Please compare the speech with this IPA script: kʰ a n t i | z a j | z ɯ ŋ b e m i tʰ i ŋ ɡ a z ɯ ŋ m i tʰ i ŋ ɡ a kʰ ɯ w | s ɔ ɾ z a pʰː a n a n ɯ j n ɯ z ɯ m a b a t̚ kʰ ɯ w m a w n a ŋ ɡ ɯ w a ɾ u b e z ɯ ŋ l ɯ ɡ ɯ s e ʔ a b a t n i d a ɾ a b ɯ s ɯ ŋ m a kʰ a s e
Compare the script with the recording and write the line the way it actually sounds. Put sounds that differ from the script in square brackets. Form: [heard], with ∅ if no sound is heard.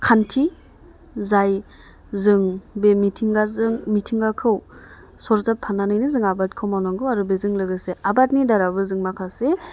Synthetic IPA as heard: kʰ a n [tʰ] i | z a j | z ɯ ŋ b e m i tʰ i ŋ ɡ a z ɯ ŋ m i tʰ i ŋ ɡ a kʰ ɯ w | s ɔ ɾ z a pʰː a n a n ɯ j n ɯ z ɯ [ŋ] a b a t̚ kʰ ɯ w m a w n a ŋ ɡ ɯ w a ɾ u b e z ɯ ŋ l ɯ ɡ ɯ s e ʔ a b a t n i d a ɾ a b ɯ [z] ɯ ŋ m a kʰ a s e